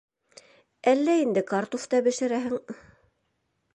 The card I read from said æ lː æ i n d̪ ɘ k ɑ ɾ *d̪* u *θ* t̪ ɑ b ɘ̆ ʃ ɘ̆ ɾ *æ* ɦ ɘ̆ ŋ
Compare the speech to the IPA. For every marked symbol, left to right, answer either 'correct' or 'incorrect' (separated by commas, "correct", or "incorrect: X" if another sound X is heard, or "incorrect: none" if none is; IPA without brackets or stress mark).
incorrect: t̪, incorrect: f, correct